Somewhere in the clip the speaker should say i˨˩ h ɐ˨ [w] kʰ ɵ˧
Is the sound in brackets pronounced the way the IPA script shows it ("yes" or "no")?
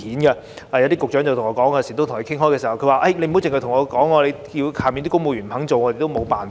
yes